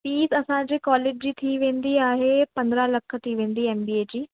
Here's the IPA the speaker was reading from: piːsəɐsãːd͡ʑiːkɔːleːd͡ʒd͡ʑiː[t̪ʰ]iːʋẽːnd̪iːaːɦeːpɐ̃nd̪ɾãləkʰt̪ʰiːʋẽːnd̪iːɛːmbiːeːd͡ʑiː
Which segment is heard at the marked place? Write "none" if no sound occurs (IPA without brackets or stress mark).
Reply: t̪ʰ